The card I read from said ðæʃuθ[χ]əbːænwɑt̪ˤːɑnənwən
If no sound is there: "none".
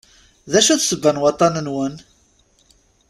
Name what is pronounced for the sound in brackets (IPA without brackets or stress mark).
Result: s